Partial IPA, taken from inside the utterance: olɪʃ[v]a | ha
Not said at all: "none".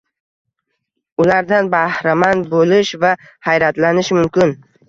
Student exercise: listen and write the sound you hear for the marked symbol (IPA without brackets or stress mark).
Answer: v